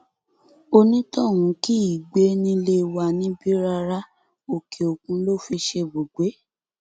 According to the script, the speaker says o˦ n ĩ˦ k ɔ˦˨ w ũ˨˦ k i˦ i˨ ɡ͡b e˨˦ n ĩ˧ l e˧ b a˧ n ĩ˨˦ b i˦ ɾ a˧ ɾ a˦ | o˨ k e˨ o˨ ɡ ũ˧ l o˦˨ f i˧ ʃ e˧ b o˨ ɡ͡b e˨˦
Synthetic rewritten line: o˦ n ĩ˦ t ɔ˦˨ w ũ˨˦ k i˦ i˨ ɡ͡b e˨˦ n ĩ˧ l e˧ w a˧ n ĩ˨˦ b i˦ ɾ a˧ ɾ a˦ | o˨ k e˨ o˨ k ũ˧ l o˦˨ f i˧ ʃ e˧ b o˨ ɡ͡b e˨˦